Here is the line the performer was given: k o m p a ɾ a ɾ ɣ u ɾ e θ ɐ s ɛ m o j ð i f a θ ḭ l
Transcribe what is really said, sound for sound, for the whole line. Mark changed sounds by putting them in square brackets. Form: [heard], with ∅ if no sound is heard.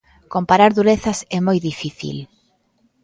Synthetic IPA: k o m p a ɾ a ɾ [ð] u ɾ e θ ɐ s ɛ m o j ð i f [i] θ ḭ l